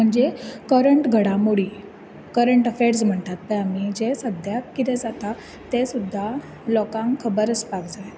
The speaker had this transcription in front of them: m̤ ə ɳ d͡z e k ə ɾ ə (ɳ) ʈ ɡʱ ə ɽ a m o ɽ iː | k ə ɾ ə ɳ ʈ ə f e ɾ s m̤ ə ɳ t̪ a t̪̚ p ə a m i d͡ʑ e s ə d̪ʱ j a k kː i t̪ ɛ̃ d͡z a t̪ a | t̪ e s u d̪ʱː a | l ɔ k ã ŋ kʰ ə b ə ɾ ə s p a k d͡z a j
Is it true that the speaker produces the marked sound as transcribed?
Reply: yes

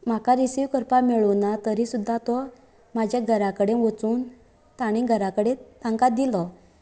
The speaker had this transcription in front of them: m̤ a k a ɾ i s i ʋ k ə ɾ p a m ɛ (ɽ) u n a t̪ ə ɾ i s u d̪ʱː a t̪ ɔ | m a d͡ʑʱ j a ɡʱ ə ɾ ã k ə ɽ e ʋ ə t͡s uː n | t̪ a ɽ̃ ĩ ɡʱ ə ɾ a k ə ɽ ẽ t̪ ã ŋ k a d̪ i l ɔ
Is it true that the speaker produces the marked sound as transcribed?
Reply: no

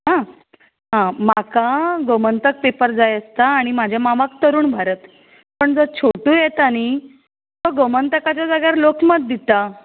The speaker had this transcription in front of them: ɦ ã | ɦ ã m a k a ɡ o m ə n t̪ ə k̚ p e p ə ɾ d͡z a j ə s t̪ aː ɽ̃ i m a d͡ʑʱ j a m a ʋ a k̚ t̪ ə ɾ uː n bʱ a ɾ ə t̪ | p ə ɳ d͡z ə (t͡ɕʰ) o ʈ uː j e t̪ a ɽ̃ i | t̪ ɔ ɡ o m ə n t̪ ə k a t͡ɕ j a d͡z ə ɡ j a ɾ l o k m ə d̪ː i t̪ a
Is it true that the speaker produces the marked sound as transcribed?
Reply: yes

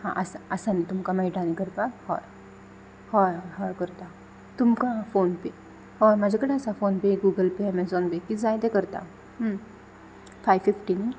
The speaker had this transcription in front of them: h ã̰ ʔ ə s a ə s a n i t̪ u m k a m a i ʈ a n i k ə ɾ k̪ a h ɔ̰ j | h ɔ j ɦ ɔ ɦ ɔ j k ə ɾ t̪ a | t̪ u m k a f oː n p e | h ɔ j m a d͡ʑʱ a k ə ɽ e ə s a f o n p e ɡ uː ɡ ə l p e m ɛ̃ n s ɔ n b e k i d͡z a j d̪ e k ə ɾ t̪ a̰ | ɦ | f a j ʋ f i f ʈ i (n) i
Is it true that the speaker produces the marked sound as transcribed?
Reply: yes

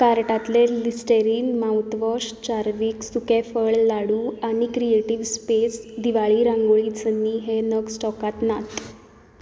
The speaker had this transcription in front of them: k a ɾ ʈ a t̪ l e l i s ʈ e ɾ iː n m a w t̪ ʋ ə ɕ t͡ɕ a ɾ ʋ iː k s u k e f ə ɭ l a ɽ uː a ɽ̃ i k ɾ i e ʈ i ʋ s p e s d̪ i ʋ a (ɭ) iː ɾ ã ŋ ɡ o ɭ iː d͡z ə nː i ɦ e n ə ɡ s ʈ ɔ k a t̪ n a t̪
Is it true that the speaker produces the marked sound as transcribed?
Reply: yes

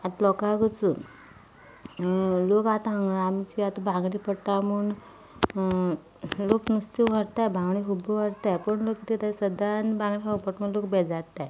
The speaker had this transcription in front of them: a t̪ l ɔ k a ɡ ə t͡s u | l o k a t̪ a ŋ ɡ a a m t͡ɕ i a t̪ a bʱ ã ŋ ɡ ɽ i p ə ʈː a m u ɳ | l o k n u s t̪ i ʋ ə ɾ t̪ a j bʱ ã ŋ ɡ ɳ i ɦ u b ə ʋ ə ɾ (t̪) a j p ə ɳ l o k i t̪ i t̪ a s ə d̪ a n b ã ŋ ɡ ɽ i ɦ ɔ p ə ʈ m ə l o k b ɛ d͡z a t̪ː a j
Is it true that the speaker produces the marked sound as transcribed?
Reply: yes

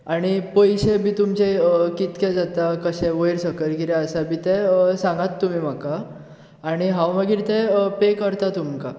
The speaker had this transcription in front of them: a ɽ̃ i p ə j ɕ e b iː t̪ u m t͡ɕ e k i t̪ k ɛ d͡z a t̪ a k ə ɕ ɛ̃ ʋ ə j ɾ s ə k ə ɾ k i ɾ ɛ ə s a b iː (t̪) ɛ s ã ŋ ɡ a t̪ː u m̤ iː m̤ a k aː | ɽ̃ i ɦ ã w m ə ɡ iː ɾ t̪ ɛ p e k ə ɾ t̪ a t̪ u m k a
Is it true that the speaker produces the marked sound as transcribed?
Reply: yes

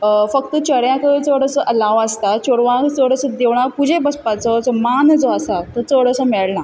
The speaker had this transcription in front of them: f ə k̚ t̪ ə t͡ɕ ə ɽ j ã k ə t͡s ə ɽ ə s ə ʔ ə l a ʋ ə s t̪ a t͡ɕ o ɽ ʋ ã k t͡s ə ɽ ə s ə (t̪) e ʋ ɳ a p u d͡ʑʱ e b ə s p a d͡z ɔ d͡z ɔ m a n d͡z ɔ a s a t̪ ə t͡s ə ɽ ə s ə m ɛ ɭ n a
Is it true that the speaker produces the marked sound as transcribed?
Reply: no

